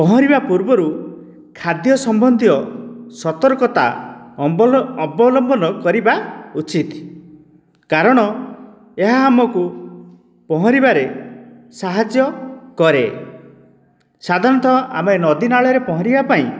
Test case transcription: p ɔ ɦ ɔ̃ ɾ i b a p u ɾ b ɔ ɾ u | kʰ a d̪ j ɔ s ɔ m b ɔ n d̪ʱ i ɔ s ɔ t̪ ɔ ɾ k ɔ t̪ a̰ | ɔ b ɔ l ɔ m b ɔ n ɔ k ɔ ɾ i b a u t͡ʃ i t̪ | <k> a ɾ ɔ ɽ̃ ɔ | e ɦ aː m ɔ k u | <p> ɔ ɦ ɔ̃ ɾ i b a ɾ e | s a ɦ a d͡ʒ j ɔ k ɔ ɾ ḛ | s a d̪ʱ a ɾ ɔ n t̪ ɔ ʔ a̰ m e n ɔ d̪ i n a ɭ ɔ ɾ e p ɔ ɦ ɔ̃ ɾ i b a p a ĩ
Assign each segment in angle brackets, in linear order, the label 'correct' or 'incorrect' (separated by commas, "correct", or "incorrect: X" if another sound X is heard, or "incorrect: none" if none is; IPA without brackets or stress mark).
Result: correct, correct